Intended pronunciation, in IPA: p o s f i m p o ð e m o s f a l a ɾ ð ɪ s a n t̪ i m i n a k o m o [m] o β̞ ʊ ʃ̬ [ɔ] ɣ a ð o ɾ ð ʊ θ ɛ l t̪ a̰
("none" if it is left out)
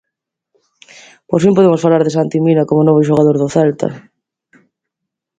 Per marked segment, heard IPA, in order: n, o

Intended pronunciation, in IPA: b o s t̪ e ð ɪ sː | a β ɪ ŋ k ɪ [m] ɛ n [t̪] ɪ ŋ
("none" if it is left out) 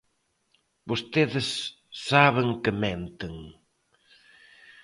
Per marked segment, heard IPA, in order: m, t̪

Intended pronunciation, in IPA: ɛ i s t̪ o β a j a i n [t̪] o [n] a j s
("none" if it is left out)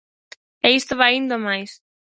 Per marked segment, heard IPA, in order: d̪, m

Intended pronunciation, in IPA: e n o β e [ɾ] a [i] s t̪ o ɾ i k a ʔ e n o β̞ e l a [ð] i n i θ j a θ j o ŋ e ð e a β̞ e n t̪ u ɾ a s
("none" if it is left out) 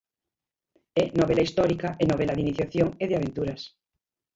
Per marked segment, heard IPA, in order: l, i, ð

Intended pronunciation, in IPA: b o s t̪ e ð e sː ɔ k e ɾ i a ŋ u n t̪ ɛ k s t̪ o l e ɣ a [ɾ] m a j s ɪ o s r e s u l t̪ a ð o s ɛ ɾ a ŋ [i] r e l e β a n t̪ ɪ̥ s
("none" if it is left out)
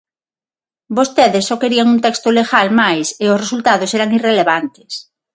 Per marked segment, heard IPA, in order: l, i

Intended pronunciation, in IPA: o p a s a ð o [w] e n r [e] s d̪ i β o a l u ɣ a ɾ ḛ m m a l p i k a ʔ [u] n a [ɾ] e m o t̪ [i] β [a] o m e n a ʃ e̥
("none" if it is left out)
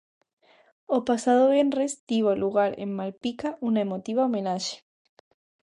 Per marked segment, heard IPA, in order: β, e, u, none, i, a

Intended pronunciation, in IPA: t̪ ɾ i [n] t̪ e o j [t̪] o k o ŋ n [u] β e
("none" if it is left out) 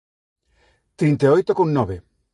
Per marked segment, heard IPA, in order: n, t̪, ɔ

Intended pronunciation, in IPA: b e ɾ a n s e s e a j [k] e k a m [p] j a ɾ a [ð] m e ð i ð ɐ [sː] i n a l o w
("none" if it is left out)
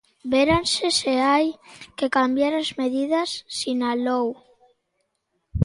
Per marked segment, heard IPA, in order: k, b, z, sː

